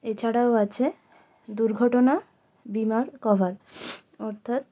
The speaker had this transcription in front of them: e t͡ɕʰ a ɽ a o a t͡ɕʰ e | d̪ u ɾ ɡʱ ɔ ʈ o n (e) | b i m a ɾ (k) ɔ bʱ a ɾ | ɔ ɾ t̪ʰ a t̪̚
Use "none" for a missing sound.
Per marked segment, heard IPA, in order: a, k

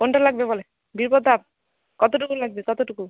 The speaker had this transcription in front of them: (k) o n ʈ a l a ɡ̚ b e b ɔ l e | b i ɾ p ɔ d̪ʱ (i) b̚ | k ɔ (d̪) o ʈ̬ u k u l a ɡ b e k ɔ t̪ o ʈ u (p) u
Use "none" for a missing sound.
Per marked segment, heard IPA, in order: k, a, t̪, k

